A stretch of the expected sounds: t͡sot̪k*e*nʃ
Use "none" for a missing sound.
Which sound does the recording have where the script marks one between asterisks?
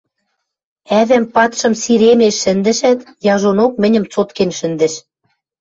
e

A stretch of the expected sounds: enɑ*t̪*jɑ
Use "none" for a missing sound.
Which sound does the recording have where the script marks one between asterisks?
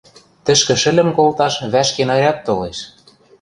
none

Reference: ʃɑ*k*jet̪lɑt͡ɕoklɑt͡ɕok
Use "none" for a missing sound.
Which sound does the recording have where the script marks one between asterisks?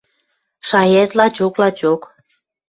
none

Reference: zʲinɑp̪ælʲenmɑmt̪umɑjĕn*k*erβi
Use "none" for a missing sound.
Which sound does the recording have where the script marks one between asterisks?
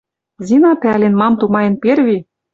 p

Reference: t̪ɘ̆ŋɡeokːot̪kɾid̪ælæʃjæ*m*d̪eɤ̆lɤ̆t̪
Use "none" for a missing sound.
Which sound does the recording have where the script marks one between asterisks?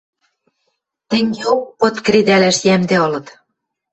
m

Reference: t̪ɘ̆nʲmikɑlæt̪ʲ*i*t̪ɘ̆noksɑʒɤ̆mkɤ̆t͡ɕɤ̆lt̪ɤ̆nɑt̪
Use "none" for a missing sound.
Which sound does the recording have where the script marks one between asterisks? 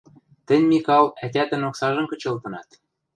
æ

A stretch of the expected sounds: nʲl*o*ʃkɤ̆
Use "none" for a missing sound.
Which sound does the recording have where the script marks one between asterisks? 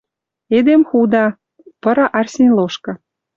o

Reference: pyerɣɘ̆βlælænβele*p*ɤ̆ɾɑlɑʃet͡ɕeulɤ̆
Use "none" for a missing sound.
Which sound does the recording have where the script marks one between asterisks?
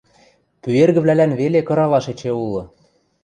k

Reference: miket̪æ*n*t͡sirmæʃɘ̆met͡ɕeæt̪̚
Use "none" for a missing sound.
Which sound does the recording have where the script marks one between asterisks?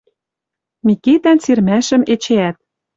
n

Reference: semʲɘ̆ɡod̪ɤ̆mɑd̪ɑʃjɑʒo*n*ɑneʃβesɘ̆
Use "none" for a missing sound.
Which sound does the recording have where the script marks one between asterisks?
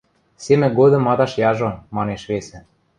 m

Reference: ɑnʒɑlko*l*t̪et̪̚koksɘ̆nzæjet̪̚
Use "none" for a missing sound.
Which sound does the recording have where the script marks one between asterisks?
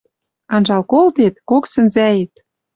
l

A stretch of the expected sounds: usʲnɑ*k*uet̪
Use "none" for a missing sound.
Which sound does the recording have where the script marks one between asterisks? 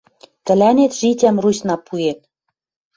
p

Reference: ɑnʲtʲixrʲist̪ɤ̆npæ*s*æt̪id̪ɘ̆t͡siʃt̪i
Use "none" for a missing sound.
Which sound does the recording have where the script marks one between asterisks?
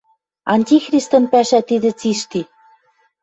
ʃ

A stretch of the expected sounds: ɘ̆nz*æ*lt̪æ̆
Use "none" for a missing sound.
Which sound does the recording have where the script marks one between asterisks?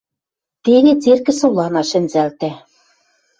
æ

